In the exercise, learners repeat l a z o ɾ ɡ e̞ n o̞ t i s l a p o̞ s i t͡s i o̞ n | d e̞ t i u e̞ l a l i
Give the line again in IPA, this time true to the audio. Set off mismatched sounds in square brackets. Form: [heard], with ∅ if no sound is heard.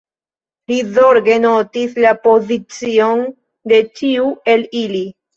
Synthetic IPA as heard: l [i] z o ɾ ɡ e̞ n o̞ t i s l a p o̞ [z] i t͡s i o̞ n | d e̞ [t͡ʃ] i u e̞ l [i] l i